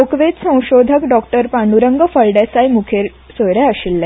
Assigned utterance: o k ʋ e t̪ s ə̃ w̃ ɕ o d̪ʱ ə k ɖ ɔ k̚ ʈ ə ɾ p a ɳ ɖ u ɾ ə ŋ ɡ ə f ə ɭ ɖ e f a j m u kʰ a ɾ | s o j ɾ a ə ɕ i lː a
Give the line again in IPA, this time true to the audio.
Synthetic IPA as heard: o k ʋ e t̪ s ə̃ w̃ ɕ o d̪ʱ ə k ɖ ɔ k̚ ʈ ə ɾ p a ɳ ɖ u ɾ ə ŋ ɡ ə f ə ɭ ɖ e s a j m u kʰ e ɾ | s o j ɾ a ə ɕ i lː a